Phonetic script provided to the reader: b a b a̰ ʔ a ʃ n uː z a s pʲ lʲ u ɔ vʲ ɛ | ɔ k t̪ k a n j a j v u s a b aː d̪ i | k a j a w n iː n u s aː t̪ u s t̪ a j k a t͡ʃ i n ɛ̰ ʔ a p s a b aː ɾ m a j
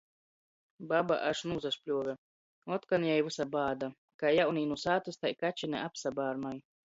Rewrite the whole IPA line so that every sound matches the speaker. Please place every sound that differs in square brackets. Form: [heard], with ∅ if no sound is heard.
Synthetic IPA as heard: b a b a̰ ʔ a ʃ n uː z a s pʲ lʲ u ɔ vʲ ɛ | ɔ [∅] t̪ k a n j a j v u s a b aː d̪ [a] | k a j a w n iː n u s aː t̪ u s t̪ a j k a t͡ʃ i n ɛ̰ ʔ a p s a b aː ɾ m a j